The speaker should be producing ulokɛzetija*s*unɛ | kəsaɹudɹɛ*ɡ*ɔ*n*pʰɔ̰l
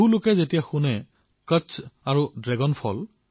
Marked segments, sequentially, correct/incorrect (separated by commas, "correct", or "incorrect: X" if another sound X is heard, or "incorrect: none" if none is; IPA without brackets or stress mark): incorrect: x, correct, correct